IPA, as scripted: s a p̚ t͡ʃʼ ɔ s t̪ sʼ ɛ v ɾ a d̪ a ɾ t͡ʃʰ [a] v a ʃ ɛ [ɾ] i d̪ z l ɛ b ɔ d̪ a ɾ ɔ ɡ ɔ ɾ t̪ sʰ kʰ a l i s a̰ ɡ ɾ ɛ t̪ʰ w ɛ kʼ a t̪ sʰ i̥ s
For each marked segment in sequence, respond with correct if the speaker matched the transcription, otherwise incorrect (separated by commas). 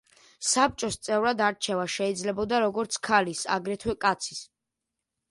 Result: incorrect, incorrect